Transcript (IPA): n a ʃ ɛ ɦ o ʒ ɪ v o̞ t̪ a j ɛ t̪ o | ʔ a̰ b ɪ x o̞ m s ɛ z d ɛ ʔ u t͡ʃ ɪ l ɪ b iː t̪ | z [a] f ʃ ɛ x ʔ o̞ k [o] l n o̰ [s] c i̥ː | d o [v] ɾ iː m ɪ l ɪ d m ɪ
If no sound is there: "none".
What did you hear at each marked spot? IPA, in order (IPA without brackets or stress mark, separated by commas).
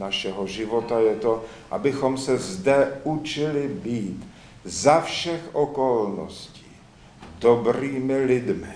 a, o, s, b